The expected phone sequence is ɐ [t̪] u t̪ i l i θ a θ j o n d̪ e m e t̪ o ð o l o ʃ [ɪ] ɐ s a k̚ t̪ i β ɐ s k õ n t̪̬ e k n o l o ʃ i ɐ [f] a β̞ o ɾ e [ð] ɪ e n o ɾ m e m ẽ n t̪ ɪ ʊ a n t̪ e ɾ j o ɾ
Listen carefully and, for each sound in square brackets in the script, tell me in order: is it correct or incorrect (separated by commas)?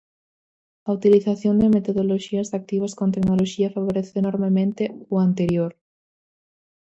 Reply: incorrect, incorrect, correct, incorrect